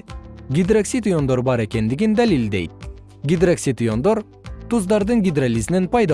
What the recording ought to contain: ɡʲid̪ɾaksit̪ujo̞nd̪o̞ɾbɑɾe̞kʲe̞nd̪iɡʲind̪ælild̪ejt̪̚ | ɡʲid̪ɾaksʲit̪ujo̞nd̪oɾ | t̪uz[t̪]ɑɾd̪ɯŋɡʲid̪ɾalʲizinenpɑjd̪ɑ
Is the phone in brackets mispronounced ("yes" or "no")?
yes